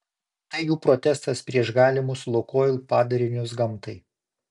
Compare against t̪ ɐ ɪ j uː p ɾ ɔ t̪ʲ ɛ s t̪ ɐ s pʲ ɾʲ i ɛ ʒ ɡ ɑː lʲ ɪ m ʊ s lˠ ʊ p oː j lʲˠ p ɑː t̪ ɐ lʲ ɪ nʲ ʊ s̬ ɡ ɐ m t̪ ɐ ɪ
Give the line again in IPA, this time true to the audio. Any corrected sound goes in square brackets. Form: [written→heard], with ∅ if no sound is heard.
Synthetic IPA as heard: t̪ ɐ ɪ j uː p ɾ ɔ t̪ʲ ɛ s t̪ ɐ s pʲ ɾʲ i ɛ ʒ ɡ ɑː lʲ ɪ m ʊ s lˠ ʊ [p→k] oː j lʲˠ p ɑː [t̪→d̪] ɐ [lʲ→ɾʲ] ɪ nʲ ʊ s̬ ɡ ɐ m t̪ ɐ ɪ